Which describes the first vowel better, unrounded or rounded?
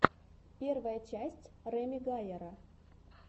unrounded